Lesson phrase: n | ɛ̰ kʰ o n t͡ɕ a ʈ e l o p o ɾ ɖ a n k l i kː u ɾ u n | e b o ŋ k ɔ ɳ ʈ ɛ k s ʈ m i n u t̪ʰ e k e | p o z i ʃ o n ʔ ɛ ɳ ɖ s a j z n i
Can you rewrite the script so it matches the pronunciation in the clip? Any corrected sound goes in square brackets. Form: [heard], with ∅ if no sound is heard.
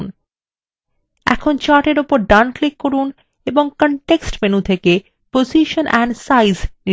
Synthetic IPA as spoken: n | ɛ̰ kʰ o n t͡ɕ a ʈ e [ɾ] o p o ɾ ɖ a n k l i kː [o] ɾ u n | e b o ŋ k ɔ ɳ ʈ [e] k s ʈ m [e] n u t̪ʰ e k e | p o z i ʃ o n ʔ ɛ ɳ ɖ s a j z n i